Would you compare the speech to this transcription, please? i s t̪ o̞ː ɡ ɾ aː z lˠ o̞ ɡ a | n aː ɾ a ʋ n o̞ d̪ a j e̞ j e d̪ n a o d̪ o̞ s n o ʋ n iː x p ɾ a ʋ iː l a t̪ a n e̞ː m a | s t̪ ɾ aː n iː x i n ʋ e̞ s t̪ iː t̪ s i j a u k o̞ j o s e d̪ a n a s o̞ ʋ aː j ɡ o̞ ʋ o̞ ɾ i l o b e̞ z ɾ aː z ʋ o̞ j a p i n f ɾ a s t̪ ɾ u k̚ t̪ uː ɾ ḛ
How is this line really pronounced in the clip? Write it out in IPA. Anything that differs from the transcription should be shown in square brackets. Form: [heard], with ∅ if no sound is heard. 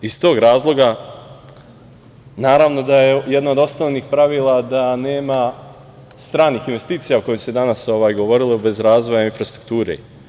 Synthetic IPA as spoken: i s t̪ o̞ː ɡ ɾ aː z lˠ o̞ ɡ a | n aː ɾ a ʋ n o̞ d̪ a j e̞ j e d̪ n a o d̪ o̞ s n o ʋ n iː x p ɾ a ʋ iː l a [d̪] a n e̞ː m a | s t̪ ɾ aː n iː x i n ʋ e̞ s t̪ iː t̪ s i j a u k o̞ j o s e d̪ a n a s o̞ ʋ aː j ɡ o̞ ʋ o̞ ɾ i l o b e̞ z ɾ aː z ʋ o̞ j a [∅] i n f ɾ a s t̪ ɾ u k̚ t̪ uː ɾ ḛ

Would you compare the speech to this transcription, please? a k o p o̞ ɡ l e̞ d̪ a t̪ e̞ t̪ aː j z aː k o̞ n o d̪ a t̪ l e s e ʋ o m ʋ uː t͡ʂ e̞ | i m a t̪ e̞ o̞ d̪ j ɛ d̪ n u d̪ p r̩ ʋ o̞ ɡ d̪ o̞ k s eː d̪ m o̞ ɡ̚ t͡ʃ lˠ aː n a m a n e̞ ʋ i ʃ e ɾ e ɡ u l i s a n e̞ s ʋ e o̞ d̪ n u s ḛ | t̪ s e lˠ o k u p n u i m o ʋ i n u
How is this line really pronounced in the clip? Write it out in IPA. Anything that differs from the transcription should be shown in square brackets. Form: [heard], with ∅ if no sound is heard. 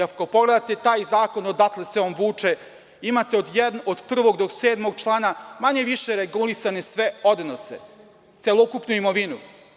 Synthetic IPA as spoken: a k o p o̞ ɡ l e̞ d̪ a t̪ e̞ t̪ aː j z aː k o̞ n o d̪ a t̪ l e s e [∅] o m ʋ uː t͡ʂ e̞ | i m a t̪ e̞ o̞ d̪ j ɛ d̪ n [o] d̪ p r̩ ʋ o̞ ɡ d̪ o̞ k s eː d̪ m o̞ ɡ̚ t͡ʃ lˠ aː n a m a [ɲ] e̞ ʋ i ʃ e ɾ e ɡ u l i s a n e̞ s ʋ e o̞ d̪ n [o] s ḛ | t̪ s e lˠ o k u p n u i m o ʋ i n u

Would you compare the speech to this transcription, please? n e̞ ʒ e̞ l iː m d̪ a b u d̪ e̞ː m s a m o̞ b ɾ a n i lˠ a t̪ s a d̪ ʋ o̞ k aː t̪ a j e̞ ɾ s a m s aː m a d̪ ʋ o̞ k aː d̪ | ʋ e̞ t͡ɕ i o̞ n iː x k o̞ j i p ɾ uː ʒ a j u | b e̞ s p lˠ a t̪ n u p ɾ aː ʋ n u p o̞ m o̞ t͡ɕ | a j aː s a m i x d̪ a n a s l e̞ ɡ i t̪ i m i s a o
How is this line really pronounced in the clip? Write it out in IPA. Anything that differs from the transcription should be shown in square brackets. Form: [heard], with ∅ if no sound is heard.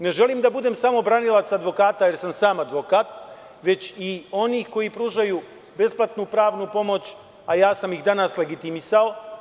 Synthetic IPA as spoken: n e̞ ʒ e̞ l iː m d̪ a b u d̪ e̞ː m s a m o̞ b ɾ a n i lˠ a t̪ s a d̪ ʋ o̞ k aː t̪ a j e̞ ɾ s a m s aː m a d̪ ʋ o̞ k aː [t̪] | ʋ e̞ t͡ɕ i o̞ n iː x k o̞ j i p ɾ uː ʒ a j u | b e̞ s p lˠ a t̪ n u p ɾ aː ʋ n u p o̞ m o̞ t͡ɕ | a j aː s a m i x d̪ a n a s l e̞ ɡ i t̪ i m i s a o

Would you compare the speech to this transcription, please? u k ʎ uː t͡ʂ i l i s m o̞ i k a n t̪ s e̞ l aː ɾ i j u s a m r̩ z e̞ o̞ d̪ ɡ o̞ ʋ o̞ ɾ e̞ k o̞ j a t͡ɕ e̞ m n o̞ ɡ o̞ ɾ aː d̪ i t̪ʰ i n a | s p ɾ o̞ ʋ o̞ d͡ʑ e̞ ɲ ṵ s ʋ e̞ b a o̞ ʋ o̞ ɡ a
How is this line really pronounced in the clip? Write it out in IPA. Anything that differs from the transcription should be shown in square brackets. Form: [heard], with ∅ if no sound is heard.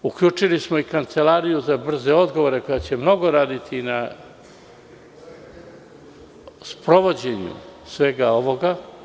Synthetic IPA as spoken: u k ʎ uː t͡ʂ i l i s m o̞ i k a n t̪ s e̞ l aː ɾ i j u [z] a [b] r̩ z e̞ o̞ d̪ ɡ o̞ ʋ o̞ ɾ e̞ k o̞ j a t͡ɕ e̞ m n o̞ ɡ o̞ ɾ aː d̪ i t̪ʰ i n a | s p ɾ o̞ ʋ o̞ d͡ʑ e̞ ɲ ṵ s ʋ e̞ [ɡ] a o̞ ʋ o̞ ɡ a

